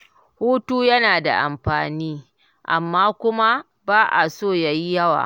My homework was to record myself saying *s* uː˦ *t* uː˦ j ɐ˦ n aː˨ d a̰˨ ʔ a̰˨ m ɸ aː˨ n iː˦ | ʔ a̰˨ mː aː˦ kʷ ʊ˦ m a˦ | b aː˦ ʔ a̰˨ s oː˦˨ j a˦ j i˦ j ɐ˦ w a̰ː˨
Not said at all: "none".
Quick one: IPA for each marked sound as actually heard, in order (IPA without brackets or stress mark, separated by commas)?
h, t